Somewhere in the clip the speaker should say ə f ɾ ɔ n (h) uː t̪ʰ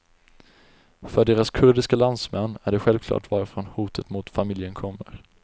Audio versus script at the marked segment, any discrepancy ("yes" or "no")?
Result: no